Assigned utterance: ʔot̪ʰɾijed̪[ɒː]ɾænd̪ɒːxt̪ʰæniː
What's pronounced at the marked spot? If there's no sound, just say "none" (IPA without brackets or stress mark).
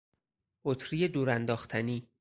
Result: uː